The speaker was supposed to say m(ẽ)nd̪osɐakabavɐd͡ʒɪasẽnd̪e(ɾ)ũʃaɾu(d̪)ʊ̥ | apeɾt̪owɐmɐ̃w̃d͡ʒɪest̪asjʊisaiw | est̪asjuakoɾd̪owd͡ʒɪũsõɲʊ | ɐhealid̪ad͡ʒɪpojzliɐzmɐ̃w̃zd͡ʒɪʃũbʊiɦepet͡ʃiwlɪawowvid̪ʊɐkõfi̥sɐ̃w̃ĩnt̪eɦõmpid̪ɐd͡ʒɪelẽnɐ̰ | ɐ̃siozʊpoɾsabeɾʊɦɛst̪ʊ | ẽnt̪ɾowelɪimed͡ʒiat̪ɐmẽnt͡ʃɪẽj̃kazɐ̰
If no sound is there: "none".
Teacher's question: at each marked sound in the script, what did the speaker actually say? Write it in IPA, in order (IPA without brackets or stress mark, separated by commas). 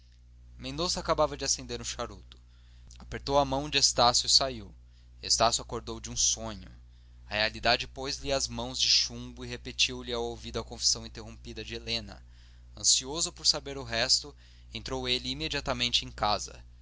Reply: ẽ, ɾ, t̪